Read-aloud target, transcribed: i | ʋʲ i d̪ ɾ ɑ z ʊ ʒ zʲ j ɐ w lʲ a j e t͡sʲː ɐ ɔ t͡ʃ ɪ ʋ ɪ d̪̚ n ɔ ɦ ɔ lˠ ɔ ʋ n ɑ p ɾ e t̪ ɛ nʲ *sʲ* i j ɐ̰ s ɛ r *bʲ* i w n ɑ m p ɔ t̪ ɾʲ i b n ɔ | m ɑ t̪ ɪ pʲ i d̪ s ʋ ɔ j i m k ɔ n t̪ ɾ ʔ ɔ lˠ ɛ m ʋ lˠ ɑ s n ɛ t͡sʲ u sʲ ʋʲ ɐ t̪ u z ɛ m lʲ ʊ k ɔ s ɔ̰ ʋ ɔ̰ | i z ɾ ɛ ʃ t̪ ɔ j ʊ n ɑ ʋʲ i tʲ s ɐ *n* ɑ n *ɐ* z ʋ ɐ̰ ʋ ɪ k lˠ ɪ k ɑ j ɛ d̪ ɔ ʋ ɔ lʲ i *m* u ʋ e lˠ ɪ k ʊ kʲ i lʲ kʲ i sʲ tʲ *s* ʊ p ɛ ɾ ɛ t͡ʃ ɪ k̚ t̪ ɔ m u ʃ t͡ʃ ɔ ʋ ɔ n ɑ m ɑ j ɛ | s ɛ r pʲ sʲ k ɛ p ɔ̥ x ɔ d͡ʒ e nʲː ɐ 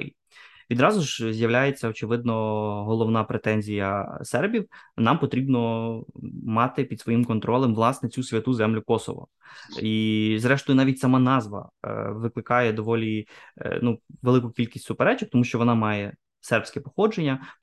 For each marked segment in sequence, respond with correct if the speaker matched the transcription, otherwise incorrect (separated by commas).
incorrect, correct, incorrect, incorrect, incorrect, correct